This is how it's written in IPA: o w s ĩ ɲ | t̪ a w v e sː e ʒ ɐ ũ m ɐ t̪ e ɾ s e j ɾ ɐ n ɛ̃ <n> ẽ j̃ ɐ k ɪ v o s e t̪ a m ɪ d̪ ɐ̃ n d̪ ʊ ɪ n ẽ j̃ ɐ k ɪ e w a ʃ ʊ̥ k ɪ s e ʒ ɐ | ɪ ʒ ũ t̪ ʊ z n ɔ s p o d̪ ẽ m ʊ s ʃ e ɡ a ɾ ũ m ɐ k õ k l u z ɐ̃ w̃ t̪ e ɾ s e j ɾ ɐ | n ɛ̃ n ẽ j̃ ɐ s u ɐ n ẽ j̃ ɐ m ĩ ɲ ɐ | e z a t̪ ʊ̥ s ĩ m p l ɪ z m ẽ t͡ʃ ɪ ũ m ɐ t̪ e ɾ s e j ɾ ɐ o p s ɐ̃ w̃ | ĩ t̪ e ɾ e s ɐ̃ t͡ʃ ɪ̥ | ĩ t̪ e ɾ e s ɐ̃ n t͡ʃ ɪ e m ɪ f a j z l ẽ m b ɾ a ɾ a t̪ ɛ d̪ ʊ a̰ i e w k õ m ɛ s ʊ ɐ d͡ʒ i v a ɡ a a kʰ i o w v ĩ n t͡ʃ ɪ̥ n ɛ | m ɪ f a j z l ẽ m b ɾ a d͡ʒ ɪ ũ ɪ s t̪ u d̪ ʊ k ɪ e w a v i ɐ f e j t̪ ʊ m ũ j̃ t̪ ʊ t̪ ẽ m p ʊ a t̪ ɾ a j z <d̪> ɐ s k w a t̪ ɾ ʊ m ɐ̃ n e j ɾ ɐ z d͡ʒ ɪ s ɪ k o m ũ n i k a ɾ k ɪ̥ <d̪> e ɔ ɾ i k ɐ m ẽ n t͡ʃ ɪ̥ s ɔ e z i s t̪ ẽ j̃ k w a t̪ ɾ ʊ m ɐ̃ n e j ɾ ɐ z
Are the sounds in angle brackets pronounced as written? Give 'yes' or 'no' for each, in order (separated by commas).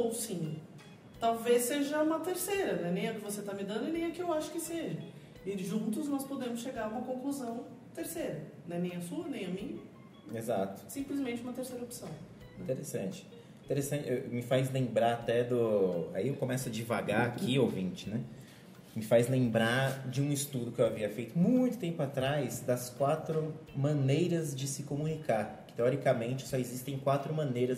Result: yes, yes, no